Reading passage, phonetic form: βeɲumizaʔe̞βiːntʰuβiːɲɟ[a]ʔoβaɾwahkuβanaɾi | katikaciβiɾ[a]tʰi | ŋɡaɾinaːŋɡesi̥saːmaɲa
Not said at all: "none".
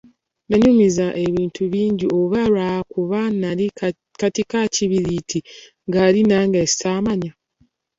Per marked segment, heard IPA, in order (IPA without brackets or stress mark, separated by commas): i, i